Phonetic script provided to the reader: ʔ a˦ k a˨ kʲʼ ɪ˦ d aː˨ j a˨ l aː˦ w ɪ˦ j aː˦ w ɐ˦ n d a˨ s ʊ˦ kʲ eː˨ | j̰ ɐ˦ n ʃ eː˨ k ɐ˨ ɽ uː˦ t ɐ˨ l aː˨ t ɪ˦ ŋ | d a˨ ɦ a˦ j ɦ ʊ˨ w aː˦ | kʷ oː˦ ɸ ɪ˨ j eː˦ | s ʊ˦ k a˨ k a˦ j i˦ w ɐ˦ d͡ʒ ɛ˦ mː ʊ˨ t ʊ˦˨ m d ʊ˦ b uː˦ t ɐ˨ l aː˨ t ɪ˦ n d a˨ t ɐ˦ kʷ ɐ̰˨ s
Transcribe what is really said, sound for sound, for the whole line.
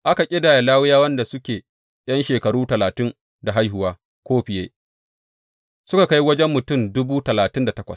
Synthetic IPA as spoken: ʔ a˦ k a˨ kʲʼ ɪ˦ d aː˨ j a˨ l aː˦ w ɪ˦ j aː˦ w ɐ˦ n d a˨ s ʊ˦ kʲ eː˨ | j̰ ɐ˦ n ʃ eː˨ k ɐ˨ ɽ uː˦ t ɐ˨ l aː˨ t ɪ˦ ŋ | d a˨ ɦ a˦ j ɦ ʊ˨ w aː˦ | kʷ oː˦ ɸ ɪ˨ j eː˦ | s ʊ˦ k a˨ k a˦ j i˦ w ɐ˦ d͡ʒ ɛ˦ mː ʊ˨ t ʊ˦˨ m d ʊ˦ b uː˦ t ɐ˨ l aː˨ t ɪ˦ n d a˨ t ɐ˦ kʷ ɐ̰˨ s

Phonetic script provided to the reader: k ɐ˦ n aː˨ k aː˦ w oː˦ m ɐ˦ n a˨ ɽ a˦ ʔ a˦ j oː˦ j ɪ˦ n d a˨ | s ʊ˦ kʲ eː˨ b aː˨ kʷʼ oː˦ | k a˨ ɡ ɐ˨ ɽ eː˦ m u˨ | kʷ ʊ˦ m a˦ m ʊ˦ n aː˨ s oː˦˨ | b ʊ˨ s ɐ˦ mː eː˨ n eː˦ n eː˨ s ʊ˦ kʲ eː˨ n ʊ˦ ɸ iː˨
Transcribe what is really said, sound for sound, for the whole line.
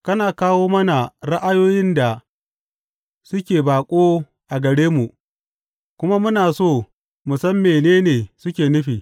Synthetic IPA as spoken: k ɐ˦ n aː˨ k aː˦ w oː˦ m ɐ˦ n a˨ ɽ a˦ ʔ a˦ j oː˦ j ɪ˦ n d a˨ | s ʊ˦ kʲ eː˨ b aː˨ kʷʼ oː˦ | ʔ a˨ ɡ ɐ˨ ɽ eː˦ m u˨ | kʷ ʊ˦ m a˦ m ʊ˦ n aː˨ s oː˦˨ | m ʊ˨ s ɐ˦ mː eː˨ n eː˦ n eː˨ s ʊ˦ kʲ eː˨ n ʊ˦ ɸ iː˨

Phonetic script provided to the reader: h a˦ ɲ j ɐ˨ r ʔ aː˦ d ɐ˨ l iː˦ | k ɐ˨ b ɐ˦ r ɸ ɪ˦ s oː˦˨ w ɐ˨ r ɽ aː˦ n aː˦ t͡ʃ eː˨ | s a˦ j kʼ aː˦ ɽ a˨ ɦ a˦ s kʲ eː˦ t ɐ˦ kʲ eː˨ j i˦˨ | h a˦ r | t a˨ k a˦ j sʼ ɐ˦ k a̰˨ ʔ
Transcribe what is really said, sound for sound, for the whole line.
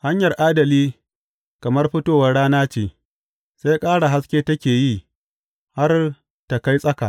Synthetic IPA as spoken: h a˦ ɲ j ɐ˨ r ʔ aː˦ d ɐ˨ l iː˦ | k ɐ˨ m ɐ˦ r ɸ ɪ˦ t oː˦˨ w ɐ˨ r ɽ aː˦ n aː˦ t͡ʃ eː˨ | s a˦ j kʼ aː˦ ɽ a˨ ɦ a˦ s kʲ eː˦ t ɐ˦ kʲ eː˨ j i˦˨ | h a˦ r | t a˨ k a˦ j sʼ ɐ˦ k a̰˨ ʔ

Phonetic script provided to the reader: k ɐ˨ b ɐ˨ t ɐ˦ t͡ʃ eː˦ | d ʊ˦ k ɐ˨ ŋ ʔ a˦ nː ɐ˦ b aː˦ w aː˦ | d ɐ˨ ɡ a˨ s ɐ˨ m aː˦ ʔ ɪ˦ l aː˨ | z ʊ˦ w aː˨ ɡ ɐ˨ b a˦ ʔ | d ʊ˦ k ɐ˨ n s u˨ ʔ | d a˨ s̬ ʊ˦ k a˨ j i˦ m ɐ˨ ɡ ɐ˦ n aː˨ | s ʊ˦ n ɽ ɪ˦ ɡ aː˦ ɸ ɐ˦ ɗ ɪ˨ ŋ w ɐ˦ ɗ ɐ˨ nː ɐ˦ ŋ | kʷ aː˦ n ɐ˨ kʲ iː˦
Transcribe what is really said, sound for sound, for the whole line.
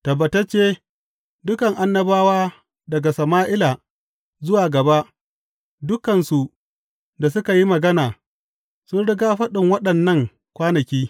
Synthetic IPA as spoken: t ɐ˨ b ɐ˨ t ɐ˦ t͡ʃ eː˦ | d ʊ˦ k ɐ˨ ŋ ʔ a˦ nː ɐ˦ b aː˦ w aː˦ | d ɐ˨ ɡ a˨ s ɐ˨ m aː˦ ʔ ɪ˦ l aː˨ | z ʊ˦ w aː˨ ɡ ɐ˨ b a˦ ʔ | d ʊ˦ k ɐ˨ n s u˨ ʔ | d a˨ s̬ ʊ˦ k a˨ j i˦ m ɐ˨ ɡ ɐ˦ n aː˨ | s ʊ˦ n ɽ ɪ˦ ɡ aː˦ ɸ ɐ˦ ɗ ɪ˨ ŋ w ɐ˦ ɗ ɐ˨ nː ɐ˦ ŋ | kʷ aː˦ n ɐ˨ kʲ iː˦

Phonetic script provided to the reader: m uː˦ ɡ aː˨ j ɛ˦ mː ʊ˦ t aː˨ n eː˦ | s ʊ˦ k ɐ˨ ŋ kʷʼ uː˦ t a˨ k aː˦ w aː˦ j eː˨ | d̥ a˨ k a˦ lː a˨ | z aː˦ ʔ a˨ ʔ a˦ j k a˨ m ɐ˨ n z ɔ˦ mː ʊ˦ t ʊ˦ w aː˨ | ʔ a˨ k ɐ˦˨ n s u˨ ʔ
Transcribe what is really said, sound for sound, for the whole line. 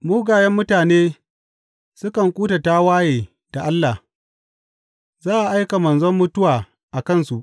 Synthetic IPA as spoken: m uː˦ ɡ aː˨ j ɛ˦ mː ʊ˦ t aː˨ n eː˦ | s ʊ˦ k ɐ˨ ŋ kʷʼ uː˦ t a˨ t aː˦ w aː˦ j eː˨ | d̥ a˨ ʔ a˦ lː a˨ | z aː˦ ʔ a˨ ʔ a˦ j k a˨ m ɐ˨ n z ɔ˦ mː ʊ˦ t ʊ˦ w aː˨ | ʔ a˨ k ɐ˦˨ n s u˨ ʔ

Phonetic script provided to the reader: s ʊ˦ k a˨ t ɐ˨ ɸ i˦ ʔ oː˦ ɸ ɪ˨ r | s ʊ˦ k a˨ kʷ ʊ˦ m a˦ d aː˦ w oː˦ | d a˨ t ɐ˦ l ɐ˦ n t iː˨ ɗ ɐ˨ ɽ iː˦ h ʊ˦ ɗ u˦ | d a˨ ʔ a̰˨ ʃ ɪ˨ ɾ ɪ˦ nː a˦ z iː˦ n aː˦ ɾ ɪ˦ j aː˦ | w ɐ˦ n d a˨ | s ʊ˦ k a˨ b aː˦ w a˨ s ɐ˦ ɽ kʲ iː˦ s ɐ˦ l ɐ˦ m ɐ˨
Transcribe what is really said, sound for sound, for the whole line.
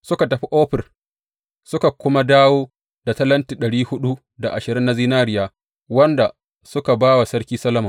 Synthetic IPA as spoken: s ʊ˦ k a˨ t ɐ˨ ɸ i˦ ʔ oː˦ ɸ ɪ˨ r | s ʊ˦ k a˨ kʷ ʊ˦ m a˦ d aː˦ w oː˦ | d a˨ t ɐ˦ l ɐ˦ n t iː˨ ɗ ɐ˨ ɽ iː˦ h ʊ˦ ɗ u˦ | d a˨ ʔ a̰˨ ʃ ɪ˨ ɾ ɪ˦ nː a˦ z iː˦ n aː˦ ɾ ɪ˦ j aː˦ | w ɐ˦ n d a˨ | s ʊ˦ k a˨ b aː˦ w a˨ s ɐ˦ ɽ kʲ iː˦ s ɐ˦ l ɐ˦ m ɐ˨

